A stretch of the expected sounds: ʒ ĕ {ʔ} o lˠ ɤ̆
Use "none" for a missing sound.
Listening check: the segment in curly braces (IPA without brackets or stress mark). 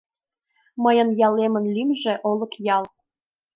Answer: ʔ